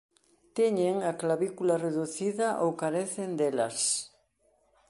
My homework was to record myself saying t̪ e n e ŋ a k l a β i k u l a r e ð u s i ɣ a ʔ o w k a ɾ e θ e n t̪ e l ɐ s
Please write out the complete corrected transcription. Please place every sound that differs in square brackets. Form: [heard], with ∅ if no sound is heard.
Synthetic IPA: t̪ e [ɲ] e ŋ a k l a β i k u l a r e ð u [θ] i [ð] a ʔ o w k a ɾ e θ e n [d̪] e l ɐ s